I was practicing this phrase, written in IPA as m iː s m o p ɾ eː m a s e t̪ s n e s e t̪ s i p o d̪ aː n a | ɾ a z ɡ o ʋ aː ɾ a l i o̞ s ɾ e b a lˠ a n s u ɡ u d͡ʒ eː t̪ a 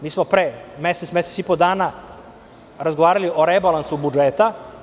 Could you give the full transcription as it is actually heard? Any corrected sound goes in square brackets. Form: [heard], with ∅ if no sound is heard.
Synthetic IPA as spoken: m iː s m o p ɾ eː m [e] s e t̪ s [m] e s e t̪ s i p o d̪ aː n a | ɾ a z ɡ o ʋ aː ɾ a l i o̞ [∅] ɾ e b a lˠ a n s u [b] u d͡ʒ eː t̪ a